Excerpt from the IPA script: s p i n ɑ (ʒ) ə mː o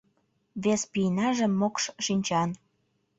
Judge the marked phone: correct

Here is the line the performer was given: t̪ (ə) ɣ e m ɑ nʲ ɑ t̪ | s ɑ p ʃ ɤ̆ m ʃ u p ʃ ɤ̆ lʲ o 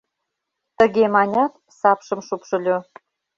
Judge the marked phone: correct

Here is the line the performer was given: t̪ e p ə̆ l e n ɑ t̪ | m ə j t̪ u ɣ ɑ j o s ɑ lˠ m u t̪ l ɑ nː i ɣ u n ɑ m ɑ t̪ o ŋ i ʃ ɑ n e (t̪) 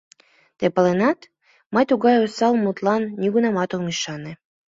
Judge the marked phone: incorrect: none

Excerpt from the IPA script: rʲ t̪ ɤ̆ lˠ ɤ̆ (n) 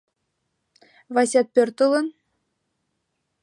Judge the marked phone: correct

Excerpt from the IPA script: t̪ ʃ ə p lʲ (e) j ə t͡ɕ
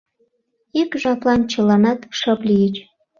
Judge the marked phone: incorrect: i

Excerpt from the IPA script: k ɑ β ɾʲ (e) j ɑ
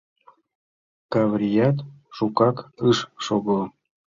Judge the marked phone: incorrect: i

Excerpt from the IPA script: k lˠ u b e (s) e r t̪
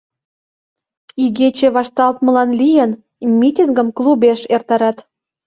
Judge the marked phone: incorrect: ʃ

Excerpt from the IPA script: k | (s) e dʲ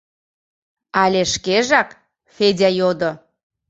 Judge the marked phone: incorrect: f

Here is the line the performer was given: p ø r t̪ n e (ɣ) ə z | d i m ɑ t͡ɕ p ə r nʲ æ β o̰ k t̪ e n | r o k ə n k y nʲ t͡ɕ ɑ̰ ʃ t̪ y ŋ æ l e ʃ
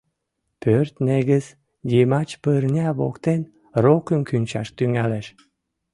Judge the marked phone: correct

